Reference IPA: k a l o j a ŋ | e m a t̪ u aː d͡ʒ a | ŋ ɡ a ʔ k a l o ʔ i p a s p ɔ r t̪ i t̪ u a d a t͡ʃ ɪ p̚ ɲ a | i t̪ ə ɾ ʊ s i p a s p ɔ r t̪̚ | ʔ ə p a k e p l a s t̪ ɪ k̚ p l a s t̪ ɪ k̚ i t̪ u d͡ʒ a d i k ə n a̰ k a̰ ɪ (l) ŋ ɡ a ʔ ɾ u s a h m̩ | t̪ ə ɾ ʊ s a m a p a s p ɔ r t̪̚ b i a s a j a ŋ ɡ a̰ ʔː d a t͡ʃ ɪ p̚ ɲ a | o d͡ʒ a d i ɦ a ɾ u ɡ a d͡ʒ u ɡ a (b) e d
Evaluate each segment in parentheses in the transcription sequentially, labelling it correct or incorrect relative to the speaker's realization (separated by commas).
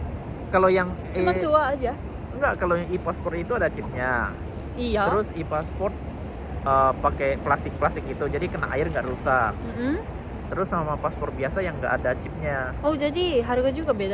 incorrect, correct